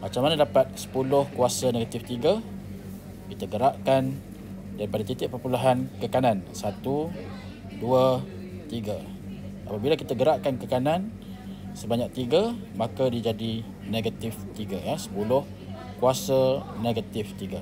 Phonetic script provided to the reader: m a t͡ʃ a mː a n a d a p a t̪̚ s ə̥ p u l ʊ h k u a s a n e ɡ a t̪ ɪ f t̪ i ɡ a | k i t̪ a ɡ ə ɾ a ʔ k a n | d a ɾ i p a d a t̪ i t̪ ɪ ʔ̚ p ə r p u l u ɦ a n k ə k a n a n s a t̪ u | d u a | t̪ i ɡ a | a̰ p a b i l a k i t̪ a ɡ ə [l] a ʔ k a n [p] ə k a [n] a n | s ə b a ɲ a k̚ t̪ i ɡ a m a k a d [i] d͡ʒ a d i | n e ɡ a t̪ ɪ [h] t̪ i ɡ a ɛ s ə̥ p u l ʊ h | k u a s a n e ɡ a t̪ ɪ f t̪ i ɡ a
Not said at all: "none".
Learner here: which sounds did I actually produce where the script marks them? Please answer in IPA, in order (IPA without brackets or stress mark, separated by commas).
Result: ɾ, k, n, i, f